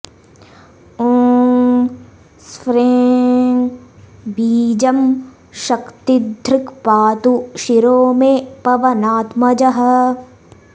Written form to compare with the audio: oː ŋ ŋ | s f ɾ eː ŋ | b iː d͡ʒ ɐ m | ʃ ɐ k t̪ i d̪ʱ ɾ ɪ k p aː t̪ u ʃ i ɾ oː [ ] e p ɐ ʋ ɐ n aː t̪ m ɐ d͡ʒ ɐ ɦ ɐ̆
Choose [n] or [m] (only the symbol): m